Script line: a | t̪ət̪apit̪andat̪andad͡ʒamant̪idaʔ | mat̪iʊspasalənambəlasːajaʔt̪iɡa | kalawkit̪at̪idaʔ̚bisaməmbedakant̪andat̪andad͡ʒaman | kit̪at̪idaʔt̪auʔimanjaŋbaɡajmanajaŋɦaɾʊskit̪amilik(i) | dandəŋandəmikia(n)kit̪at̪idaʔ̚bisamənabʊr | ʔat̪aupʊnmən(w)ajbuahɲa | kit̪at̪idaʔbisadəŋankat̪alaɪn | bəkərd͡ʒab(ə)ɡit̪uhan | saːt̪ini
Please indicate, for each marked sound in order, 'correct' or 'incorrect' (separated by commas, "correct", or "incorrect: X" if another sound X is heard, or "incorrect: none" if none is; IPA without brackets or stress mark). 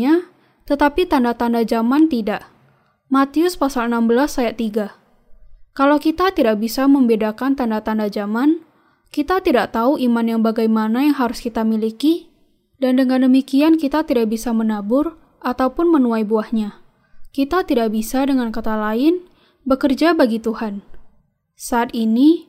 correct, correct, incorrect: u, incorrect: a